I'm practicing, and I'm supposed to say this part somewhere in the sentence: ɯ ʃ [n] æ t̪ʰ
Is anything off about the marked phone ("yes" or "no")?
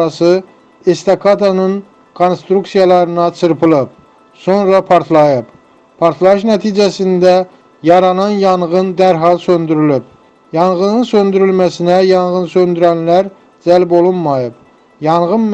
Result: no